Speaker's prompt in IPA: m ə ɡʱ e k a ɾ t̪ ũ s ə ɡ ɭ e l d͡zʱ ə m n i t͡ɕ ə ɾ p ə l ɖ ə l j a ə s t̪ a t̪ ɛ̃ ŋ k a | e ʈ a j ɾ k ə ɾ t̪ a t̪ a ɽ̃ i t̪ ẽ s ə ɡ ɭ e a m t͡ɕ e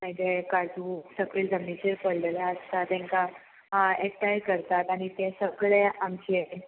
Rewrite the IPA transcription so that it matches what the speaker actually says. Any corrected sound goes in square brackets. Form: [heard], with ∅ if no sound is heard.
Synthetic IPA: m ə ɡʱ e k a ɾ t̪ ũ s ə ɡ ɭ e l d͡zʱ ə m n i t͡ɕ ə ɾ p ə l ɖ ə l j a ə s t̪ a t̪ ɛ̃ ŋ k a | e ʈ a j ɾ k ə ɾ t̪ a t̪ a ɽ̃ i t̪ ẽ s ə ɡ ɭ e a m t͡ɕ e